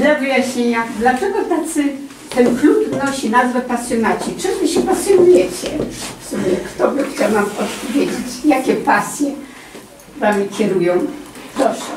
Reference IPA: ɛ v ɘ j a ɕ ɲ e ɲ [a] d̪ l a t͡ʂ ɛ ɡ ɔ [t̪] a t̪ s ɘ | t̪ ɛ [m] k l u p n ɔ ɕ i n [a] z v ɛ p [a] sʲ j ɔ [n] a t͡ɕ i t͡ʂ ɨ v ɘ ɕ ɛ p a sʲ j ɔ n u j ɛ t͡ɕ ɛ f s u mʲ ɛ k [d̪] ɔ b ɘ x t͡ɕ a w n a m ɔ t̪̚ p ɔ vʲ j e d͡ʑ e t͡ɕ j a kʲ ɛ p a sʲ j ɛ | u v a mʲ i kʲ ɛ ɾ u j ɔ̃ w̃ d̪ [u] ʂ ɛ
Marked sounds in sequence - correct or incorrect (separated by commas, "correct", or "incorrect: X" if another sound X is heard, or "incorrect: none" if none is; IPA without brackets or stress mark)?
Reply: correct, correct, incorrect: n, correct, correct, correct, incorrect: t̪, incorrect: ɔ